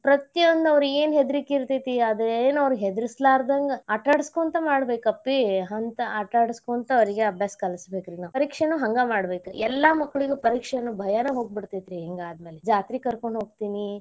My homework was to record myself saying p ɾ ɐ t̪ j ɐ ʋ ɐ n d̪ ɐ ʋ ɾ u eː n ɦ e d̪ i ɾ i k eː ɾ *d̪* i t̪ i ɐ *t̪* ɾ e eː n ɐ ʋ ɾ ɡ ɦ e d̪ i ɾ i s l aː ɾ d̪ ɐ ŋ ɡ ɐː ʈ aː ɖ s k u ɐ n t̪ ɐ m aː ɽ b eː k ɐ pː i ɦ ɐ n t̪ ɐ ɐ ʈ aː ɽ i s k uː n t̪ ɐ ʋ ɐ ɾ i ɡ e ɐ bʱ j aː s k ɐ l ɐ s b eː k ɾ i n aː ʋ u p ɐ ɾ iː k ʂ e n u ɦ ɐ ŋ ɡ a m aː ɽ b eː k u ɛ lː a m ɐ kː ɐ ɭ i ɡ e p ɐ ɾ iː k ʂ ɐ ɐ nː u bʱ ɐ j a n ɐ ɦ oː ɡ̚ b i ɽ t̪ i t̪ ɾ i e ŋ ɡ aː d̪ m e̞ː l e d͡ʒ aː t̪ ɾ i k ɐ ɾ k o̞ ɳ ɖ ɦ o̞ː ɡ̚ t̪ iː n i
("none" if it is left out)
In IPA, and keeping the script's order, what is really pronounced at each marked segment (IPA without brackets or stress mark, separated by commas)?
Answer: t̪, d̪